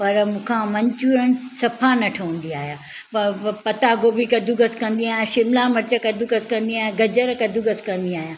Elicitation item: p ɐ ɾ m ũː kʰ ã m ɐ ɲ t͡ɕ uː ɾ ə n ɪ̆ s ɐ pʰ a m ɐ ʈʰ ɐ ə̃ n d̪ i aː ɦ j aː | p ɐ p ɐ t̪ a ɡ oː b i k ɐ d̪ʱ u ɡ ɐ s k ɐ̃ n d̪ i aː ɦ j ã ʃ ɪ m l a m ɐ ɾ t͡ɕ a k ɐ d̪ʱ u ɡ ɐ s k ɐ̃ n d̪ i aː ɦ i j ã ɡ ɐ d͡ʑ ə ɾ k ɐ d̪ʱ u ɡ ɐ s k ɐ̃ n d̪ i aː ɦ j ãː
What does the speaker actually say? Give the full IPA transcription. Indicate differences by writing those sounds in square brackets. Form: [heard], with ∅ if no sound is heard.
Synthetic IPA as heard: p ɐ ɾ m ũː kʰ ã m ɐ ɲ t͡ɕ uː ɾ ə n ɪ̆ s ɐ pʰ a [n] ɐ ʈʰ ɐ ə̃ n d̪ i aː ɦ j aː | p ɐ p ɐ t̪ a ɡ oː b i k ɐ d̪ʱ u ɡ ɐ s k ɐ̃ n d̪ i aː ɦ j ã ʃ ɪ m l a m ɐ ɾ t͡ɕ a k ɐ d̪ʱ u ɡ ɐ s k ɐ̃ n d̪ i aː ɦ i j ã ɡ ɐ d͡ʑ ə ɾ k ɐ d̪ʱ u ɡ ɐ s k ɐ̃ n d̪ i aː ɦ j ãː